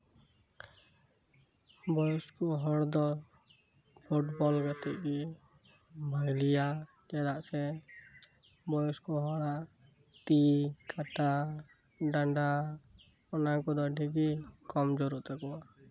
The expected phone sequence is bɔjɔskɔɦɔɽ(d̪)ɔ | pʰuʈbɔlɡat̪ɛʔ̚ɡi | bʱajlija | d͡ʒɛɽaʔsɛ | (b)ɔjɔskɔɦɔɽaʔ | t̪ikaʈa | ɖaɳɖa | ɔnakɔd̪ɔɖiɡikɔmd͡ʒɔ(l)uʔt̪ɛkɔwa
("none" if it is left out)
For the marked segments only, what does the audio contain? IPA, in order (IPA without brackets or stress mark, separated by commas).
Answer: d̪, b, ɾ